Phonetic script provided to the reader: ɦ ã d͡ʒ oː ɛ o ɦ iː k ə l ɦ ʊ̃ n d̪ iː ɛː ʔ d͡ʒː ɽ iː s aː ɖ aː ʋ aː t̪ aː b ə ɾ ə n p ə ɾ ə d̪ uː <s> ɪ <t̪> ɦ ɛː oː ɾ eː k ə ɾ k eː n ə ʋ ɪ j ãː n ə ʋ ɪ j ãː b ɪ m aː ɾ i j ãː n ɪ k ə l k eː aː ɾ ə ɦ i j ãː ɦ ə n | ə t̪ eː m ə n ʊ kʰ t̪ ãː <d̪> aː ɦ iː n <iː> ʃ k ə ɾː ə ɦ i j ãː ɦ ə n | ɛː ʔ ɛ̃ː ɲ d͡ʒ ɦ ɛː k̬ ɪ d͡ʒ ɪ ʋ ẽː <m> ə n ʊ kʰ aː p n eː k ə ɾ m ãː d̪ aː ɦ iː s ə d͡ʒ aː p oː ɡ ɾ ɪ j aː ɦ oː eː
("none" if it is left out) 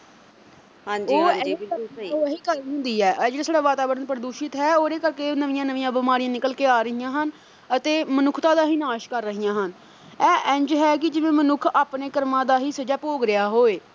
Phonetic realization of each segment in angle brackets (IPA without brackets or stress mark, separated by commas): ʃ, t̪, d̪, aː, m